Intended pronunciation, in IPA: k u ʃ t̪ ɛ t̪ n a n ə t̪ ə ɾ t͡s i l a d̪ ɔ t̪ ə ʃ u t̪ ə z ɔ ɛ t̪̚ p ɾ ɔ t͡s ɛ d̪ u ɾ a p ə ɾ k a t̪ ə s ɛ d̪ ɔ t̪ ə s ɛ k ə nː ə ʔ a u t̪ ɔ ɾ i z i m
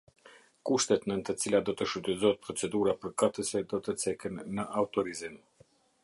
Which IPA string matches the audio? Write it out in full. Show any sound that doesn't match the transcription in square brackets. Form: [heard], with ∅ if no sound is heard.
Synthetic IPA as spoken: k u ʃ t̪ ɛ t̪ n [ə] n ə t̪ ə [∅] t͡s i l a d̪ ɔ t̪ ə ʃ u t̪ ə z ɔ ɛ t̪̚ p ɾ ɔ t͡s ɛ d̪ u ɾ a p ə ɾ k a t̪ ə s ɛ d̪ ɔ t̪ ə [t͡s] ɛ k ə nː ə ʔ a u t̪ ɔ ɾ i z i m